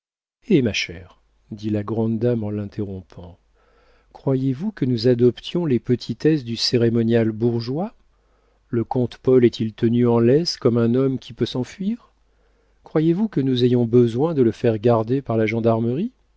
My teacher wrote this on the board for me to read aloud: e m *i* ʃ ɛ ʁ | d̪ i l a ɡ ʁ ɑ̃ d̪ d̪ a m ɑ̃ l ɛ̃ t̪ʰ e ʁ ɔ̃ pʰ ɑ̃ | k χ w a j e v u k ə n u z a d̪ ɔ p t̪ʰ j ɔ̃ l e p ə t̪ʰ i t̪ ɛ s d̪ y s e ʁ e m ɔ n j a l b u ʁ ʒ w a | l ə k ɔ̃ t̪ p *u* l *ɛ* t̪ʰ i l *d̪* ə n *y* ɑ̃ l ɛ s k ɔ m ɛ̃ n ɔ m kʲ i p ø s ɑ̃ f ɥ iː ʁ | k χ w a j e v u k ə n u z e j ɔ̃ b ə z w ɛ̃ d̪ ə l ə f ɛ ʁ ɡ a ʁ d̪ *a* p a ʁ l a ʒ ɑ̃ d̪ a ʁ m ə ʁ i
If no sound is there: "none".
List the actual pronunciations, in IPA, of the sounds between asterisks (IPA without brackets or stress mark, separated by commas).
a, ɔ, ɛ, t̪, y, e